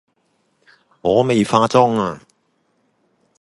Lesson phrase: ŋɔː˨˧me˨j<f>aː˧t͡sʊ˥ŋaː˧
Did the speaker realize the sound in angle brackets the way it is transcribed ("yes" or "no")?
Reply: yes